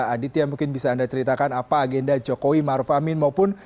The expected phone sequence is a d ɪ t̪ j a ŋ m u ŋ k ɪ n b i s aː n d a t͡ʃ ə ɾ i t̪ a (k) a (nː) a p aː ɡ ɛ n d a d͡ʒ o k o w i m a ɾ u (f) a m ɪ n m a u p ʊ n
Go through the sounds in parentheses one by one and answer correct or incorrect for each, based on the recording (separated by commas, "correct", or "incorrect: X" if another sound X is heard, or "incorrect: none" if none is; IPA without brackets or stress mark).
correct, incorrect: n, correct